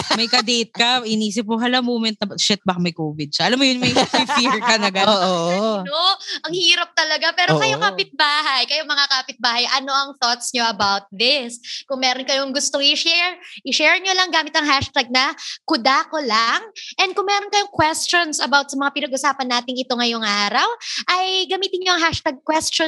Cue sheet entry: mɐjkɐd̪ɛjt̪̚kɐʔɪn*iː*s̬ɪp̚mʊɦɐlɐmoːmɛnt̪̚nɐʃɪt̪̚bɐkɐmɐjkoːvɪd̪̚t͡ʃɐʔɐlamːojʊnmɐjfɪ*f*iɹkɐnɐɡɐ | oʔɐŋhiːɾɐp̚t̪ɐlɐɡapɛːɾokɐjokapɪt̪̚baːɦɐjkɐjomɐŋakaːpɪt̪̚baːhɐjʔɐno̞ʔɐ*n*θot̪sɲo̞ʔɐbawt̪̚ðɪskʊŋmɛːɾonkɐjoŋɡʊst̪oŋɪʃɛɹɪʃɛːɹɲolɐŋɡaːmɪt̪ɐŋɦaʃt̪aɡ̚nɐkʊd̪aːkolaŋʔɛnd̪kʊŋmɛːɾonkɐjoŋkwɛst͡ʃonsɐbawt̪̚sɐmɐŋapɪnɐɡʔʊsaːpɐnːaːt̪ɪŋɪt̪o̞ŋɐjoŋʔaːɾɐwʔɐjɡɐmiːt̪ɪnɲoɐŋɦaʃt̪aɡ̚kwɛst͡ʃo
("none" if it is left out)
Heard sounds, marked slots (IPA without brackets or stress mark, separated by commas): iː, f, ŋ